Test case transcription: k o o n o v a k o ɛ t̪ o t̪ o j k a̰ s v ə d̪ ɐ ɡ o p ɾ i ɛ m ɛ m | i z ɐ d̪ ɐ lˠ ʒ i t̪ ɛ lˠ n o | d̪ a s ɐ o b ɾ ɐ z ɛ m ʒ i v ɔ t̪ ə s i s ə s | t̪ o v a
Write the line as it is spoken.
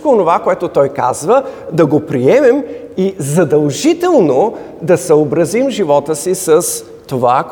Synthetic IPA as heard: k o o n o v a k o ɛ t̪ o t̪ ɔ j k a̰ z v ə d̪ ɐ ɡ o p ɾ i ɛ m ɛ m | i z ɐ d̪ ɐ lˠ ʒ i t̪ ɛ lˠ n o | d̪ ɐ s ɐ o b ɾ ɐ z i m ʒ i v ɔ t̪ ə s i s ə s | t̪ o v a